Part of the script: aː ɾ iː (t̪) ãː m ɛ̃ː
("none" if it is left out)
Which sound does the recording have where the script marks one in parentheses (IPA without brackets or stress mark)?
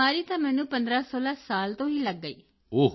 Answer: t̪